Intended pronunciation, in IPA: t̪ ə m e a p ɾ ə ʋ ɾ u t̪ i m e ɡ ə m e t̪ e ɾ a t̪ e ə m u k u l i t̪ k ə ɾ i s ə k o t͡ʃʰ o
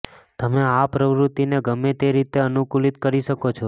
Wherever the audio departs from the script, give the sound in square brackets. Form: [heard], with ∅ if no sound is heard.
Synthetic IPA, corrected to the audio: t̪ ə m e a p ɾ ə ʋ ɾ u t̪ i [n] e ɡ ə m e t̪ e ɾ [i] t̪ e ə [n] u k u l i t̪ k ə ɾ i [ʃ] ə k o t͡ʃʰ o